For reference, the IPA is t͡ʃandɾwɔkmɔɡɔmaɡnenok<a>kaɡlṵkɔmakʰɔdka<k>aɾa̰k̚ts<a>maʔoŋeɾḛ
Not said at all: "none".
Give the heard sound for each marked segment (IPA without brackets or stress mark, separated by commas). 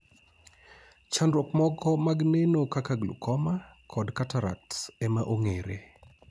a, t, ɛ